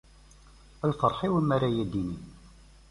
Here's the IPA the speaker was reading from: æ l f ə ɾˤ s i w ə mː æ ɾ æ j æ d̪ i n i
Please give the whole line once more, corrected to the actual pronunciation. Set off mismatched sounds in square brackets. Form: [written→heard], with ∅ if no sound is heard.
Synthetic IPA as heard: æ l f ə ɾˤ [s→ħ] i w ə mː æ ɾ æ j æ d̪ i n i